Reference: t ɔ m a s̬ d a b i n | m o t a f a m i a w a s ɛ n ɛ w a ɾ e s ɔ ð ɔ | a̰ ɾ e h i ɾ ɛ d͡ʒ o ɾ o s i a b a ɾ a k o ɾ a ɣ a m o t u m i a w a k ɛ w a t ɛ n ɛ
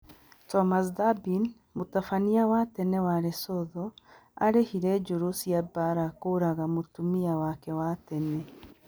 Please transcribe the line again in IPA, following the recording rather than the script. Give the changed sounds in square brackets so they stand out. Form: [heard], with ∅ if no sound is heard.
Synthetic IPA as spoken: t ɔ m a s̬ d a b i n | m o t a f a [n] i a w a [t] ɛ n ɛ w a ɾ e s ɔ ð ɔ | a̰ ɾ e h i ɾ ɛ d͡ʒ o ɾ o s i a b a ɾ a k o ɾ a ɣ a m o t u m i a w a k ɛ w a t ɛ n ɛ